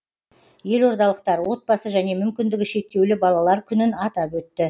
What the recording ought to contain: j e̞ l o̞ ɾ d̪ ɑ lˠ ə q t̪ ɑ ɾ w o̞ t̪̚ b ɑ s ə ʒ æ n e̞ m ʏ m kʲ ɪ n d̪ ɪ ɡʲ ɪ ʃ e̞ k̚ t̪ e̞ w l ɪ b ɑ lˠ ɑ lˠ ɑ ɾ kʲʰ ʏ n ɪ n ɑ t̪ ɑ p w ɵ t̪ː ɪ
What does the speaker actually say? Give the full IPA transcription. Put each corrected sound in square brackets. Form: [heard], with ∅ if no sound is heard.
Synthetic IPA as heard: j e̞ l o̞ ɾ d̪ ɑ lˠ ə q t̪ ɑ ɾ w o̞ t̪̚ b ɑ s ə ʒ æ n e̞ m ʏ m kʲ ɪ n d̪ ɪ ɡʲ ɪ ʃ e̞ k̚ t̪ e̞ w l ɪ b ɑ lˠ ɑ lˠ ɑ ɾ kʲʰ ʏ n ɪ n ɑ t̪ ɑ p w ɵ t̪ː ɪ

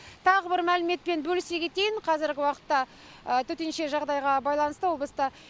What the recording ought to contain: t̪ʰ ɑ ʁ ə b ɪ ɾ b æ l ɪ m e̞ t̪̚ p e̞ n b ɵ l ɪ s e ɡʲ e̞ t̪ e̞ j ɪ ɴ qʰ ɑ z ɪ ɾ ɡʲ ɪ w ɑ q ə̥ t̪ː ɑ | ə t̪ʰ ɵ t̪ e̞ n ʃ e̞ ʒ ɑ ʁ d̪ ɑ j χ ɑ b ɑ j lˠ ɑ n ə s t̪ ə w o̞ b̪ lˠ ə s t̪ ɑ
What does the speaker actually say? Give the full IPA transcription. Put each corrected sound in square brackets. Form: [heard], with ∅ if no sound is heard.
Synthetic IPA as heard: t̪ʰ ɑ ʁ ə b ɪ ɾ [m] æ l ɪ m e̞ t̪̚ p e̞ n b ɵ l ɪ s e ɡʲ e̞ t̪ e̞ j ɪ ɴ qʰ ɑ z ɪ ɾ ɡʲ ɪ w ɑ q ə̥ t̪ː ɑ | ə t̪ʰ ɵ t̪ e̞ n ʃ e̞ ʒ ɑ ʁ d̪ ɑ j [ʁ] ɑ b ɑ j lˠ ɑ n ə s t̪ ə w o̞ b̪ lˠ ə s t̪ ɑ

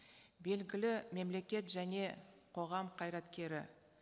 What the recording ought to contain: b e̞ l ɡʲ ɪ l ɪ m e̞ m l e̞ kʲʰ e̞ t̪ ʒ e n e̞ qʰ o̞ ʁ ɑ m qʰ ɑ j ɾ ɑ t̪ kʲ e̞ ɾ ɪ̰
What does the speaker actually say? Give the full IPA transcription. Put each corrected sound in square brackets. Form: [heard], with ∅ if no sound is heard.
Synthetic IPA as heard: b e̞ l ɡʲ ɪ l ɪ m e̞ m l e̞ [kʲ] e̞ t̪ ʒ [æ] n e̞ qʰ o̞ ʁ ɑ m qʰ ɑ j ɾ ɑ t̪ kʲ e̞ ɾ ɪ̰

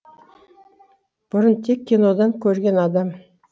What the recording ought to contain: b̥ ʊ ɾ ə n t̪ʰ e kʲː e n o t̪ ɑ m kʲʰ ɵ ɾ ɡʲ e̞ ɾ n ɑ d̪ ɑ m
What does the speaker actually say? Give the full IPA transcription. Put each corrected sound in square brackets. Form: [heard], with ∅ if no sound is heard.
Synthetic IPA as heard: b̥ ʊ ɾ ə n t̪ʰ e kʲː [i] n o [d̪] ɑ [ŋ] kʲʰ ɵ ɾ ɡʲ e̞ [∅] n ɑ d̪ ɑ m

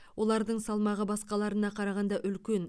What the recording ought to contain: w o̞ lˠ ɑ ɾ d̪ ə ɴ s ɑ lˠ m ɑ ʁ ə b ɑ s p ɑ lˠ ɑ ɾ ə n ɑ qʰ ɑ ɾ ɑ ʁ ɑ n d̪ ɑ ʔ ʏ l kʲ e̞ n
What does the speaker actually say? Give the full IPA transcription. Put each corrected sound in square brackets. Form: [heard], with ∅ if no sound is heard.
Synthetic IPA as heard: w o̞ lˠ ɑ ɾ d̪ ə ɴ s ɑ lˠ m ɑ ʁ ə b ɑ s [q] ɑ lˠ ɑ ɾ ə n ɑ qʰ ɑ ɾ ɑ ʁ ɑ n d̪ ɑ ʔ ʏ l kʲ e̞ n

